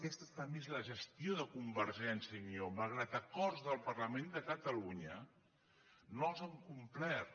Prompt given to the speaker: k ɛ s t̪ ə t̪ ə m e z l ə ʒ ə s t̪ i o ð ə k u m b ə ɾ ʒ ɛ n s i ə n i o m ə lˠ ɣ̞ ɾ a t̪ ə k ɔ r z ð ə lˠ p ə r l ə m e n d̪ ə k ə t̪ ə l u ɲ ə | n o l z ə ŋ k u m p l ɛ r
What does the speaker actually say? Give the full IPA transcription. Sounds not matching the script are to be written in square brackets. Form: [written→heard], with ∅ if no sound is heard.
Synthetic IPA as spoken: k ɛ s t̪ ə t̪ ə m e z l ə ʒ ə s t̪ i o ð ə k u m b ə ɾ ʒ ɛ n s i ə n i o m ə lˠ ɣ̞ ɾ a t̪ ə k ɔ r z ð ə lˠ p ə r l ə m e n d̪ ə k ə t̪ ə l u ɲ ə | n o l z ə ŋ k u m p l ɛ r

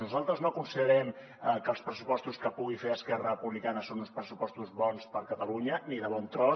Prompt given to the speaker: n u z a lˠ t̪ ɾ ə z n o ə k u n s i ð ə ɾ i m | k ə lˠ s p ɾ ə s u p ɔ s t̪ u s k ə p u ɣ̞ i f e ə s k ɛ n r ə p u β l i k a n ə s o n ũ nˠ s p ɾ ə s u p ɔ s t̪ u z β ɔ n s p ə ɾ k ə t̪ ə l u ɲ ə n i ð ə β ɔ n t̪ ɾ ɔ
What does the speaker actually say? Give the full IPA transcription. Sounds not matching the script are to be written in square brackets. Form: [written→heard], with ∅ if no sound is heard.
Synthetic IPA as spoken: n u z a lˠ t̪ ɾ ə z n o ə k u n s i ð ə ɾ [i→ɛ] m | k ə lˠ s p ɾ ə s u p ɔ s t̪ u s k ə p u ɣ̞ i f e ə s k ɛ [n→∅] r ə p u β l i k a n ə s o n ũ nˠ s p ɾ ə s u p ɔ s t̪ u z β ɔ n s p ə ɾ k ə t̪ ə l u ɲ ə n i ð ə β ɔ n t̪ ɾ ɔ

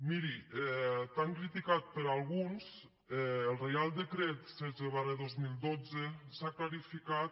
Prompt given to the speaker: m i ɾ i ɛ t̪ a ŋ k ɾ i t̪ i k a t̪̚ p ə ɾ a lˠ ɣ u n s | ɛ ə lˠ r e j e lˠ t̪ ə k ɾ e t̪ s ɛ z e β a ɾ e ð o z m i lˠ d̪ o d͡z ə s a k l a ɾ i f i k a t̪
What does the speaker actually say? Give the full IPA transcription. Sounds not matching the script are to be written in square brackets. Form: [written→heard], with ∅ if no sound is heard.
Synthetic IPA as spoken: m i ɾ i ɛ t̪ a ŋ k ɾ i t̪ i k a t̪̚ p ə ɾ a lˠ ɣ u n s | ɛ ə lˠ r e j [e→a] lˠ [t̪→d̪] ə k ɾ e t̪ s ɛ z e β a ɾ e ð o z m i lˠ d̪ o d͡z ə s a k l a ɾ i f i k a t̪

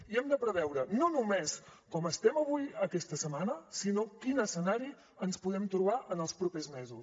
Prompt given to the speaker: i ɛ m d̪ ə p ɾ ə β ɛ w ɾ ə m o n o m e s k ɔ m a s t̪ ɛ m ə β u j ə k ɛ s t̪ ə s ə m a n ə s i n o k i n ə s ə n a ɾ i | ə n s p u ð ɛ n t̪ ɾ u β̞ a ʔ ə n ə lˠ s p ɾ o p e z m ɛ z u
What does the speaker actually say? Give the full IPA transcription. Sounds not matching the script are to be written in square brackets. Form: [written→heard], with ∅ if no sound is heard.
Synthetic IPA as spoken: i ɛ m d̪ ə p ɾ ə β ɛ w ɾ ə [m→n] o n [o→u] m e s k ɔ m [a→ə] s t̪ ɛ m ə β u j ə k ɛ s t̪ ə s ə m a n ə s i n o k i n ə s ə n a ɾ i | ə n s p u ð ɛ [n→m] t̪ ɾ u β̞ a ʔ ə n ə lˠ s p ɾ [o→u] p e z m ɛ z u

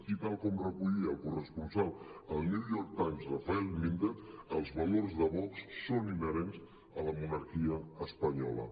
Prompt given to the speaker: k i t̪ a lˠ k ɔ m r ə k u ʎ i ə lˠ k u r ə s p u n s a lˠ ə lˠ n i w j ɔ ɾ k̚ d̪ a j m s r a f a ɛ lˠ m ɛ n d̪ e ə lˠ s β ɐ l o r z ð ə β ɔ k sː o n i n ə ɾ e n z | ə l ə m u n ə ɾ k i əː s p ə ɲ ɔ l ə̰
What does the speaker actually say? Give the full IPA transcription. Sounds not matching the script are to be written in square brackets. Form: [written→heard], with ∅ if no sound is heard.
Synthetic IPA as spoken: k i t̪ a lˠ k ɔ m r ə k u ʎ i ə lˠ k u r ə s p u n s a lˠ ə lˠ n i w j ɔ ɾ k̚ [d̪→t̪] a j m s r a f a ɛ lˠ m [ɛ→i] n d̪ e ə lˠ [s→z] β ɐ l o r z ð ə β ɔ k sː o n i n ə ɾ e n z | ə l ə m u n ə ɾ k i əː s p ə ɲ ɔ l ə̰

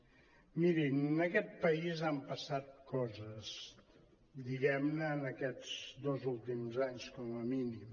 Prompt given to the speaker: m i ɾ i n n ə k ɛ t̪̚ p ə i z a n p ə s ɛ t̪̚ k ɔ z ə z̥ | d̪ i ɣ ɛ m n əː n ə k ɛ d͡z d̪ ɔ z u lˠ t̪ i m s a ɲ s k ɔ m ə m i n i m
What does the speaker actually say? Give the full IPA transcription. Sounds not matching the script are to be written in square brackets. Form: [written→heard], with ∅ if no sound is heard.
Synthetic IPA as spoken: m i ɾ i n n ə k ɛ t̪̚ p ə i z a [n→m] p ə s [ɛ→a] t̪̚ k ɔ z ə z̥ | d̪ i ɣ ɛ m n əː n ə k ɛ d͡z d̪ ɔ z u lˠ t̪ i m [s→z] a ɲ s k ɔ m ə m i n i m

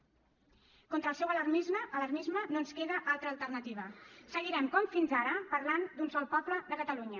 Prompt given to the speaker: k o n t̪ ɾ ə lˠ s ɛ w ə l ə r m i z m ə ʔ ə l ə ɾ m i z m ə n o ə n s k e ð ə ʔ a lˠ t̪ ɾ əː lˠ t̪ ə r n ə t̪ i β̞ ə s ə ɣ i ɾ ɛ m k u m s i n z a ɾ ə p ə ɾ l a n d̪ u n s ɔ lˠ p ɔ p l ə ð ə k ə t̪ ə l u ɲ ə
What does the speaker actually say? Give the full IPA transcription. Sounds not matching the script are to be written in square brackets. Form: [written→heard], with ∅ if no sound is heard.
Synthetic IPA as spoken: k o n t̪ ɾ ə lˠ s ɛ w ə l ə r m i z m ə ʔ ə l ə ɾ m i z m ə n o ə n s k e ð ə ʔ a lˠ t̪ ɾ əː lˠ t̪ ə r n ə t̪ i β̞ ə s ə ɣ i ɾ ɛ m k [u→ɔ] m [s→f] i n z a ɾ ə p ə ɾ l a n d̪ u n s ɔ lˠ p ɔ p l ə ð ə k ə t̪ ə l u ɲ ə

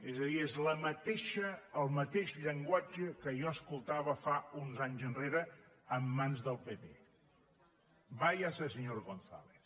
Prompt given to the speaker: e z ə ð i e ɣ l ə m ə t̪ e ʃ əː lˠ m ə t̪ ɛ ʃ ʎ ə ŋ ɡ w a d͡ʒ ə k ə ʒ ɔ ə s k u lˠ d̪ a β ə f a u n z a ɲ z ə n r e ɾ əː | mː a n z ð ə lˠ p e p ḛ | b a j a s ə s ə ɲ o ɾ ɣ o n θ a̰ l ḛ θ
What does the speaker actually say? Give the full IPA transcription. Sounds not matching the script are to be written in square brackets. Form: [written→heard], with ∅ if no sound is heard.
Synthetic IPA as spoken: e z ə ð i e [ɣ→z] l ə m ə t̪ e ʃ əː lˠ m ə t̪ [ɛ→e] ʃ ʎ ə ŋ ɡ w a d͡ʒ ə k ə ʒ ɔ ə s k u lˠ [d̪→t̪] a β ə f a u n z a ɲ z ə n r e ɾ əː | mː a n z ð ə lˠ p e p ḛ | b a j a s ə s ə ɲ o ɾ ɣ o n θ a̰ l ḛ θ

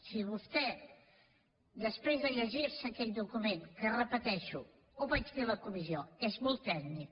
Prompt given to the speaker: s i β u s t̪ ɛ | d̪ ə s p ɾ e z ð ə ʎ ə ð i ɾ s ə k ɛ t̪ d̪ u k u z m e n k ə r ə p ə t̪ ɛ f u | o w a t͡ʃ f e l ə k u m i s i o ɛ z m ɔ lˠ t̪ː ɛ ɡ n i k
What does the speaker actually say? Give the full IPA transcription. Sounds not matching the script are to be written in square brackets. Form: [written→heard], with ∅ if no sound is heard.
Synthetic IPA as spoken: s i β u s t̪ ɛ | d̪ ə s p ɾ e z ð ə ʎ ə [ð→ʒ] i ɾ s ə k ɛ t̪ d̪ u k u [z→∅] m e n k ə r ə p ə t̪ ɛ [f→ʃ] u | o [w→β] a t͡ʃ f e l ə k u m i [s→z] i o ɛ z m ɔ lˠ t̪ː ɛ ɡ n i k

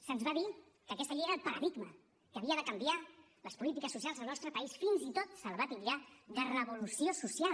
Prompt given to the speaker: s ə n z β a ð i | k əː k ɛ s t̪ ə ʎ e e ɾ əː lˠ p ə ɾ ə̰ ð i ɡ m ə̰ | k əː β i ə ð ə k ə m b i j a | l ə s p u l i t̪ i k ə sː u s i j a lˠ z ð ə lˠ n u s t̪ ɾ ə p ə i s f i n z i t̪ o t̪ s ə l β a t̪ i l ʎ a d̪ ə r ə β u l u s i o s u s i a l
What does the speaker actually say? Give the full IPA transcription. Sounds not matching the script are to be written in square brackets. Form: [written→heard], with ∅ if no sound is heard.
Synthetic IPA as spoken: s ə n z β a ð i | k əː k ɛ s t̪ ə ʎ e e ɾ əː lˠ p ə ɾ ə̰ ð i ɡ m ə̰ | k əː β i ə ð ə k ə m b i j a | l ə s p u l i t̪ i k ə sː u s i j a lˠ z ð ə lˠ n [u→ɔ] s t̪ ɾ ə p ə i s f i n z i t̪ o t̪ s ə l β a t̪ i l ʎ a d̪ ə r ə β u l u s i o s u s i a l

